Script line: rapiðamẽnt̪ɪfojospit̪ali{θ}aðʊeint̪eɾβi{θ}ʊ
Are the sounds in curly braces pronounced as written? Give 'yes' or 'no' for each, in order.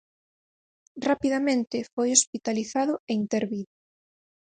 yes, no

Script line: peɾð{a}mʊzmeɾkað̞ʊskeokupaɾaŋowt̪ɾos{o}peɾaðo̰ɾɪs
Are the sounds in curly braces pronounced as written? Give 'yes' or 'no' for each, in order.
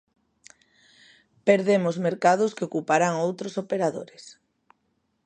no, yes

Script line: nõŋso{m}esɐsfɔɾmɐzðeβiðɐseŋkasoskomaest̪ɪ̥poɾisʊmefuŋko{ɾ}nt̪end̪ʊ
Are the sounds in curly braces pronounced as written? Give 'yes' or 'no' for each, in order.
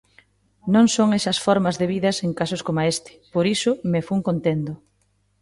no, no

